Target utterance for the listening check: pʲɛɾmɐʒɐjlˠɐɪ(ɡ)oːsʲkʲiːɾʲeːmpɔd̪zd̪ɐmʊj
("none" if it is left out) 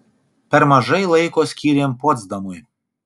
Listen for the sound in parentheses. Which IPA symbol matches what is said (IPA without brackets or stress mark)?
k